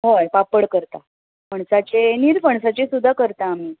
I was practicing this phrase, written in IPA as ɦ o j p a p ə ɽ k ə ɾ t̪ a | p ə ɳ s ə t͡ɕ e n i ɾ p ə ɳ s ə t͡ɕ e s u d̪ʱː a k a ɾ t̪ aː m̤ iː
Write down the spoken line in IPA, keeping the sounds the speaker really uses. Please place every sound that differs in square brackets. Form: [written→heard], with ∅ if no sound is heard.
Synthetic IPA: ɦ o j p a p ə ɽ k ə ɾ t̪ a | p ə ɳ s [ə→a] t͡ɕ e n i ɾ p ə ɳ s [ə→a] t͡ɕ e s u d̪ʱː a k [a→ə] ɾ t̪ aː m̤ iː